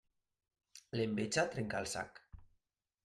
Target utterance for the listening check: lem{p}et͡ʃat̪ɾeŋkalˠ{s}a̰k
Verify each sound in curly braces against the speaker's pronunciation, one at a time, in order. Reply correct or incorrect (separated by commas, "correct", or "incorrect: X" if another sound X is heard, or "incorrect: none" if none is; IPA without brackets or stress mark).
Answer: incorrect: b, correct